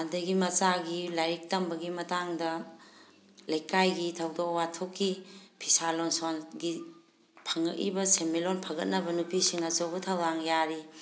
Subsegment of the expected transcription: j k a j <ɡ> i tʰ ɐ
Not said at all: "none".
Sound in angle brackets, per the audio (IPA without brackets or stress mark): ɡ